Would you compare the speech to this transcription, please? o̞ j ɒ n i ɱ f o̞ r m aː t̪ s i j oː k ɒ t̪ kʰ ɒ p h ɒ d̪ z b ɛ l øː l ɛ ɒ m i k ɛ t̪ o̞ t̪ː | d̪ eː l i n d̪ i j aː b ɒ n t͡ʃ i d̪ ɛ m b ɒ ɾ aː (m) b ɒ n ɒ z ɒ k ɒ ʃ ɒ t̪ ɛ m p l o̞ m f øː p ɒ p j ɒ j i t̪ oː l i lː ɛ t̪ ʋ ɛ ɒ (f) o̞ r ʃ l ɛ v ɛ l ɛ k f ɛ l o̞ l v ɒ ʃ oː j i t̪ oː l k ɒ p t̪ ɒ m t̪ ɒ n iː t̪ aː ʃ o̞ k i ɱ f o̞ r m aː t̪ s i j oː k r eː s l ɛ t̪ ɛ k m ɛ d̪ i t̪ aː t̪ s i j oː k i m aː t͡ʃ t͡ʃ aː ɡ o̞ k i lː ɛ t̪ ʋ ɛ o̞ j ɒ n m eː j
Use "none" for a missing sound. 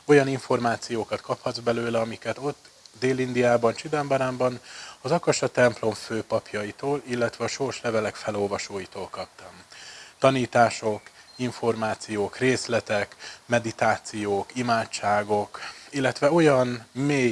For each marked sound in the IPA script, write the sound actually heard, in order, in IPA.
m, ʃ

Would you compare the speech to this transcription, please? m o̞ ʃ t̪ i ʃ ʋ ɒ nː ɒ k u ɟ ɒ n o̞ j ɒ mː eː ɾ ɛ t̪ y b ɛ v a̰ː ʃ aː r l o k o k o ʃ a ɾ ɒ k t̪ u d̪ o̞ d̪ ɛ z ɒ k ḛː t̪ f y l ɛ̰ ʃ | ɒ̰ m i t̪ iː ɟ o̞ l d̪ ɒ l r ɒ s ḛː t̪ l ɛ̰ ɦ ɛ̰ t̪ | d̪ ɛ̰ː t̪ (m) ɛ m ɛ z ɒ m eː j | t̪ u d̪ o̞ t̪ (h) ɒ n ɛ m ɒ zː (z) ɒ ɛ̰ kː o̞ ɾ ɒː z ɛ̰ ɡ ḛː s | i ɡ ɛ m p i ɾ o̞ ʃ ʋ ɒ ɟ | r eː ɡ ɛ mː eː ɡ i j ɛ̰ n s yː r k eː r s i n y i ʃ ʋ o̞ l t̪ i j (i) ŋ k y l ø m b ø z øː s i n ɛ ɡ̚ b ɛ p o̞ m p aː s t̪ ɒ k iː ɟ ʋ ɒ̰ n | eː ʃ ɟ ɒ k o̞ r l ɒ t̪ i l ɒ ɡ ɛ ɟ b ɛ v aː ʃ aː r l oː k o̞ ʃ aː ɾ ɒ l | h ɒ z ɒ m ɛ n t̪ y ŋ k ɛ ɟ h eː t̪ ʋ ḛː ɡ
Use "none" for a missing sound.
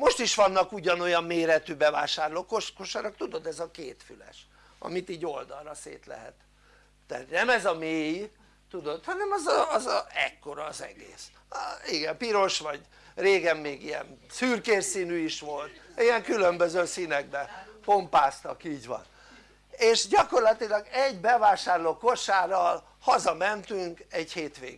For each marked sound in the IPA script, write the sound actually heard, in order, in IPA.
n, h, z, ɛ

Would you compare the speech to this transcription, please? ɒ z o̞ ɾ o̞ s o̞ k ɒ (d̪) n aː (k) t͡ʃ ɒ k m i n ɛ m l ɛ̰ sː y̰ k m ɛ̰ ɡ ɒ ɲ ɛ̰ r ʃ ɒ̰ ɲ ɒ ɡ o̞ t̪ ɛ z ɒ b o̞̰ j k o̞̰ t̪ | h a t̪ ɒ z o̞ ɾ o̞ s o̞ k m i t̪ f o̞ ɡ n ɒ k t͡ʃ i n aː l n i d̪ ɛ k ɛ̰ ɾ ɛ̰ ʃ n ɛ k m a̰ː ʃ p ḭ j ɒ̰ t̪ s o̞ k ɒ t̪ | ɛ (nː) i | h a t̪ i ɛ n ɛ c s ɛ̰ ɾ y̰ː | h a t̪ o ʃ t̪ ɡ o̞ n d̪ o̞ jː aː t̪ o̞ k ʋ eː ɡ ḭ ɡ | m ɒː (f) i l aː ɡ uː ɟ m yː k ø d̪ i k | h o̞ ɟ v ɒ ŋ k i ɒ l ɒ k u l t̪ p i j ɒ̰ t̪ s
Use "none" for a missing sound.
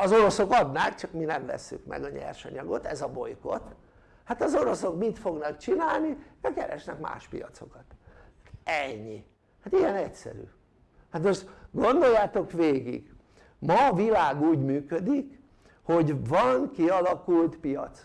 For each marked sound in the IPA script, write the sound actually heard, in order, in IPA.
d̪, k, ɲː, v

